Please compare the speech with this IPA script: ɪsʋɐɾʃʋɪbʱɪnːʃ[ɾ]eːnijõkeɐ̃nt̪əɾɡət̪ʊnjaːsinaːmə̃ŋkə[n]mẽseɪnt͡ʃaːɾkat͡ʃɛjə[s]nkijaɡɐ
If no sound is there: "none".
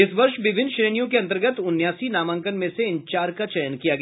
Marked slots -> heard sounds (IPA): ɾ, n, none

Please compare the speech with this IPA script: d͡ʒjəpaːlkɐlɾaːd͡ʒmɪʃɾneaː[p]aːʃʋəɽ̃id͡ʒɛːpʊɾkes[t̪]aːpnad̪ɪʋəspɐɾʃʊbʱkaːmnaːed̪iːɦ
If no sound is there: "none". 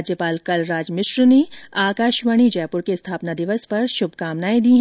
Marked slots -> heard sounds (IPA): k, t̪ʰ

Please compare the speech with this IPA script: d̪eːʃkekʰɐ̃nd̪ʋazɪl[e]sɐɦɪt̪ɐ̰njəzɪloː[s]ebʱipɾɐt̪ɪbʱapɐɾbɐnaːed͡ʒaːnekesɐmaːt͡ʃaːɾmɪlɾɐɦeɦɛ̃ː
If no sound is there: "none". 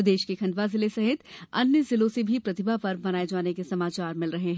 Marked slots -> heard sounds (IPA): e, s

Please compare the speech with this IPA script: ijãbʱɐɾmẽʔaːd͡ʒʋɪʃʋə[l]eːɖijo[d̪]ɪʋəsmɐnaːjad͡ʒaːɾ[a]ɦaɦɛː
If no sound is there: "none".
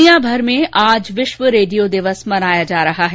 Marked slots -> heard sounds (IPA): ɾ, d̪, ɐ

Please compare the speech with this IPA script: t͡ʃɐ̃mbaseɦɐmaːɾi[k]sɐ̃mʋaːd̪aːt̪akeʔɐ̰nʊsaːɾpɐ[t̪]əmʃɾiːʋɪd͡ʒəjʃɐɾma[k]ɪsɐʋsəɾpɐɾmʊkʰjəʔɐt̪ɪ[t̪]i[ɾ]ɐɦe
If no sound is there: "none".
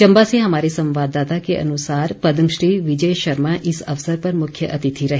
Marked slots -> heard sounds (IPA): none, d̪, ʔ, t̪ʰ, ɾ

